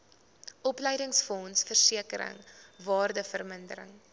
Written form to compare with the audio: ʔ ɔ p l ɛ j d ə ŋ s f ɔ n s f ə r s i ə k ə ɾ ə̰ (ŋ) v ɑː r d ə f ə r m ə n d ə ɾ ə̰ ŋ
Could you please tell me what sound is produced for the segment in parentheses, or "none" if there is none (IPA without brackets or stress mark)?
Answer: ŋ